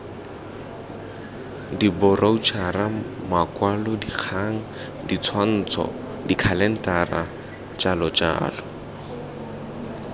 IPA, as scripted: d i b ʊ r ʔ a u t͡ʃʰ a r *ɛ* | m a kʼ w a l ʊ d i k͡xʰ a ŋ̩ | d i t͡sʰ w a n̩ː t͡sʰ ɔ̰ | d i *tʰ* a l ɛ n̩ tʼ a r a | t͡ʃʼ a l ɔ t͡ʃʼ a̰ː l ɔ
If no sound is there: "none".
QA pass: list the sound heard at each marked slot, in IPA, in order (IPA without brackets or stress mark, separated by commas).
a, kʰ